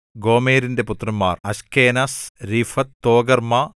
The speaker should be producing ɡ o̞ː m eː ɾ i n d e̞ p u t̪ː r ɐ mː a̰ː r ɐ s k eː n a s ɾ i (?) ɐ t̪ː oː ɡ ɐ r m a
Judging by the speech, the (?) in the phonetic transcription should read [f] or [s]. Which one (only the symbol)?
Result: f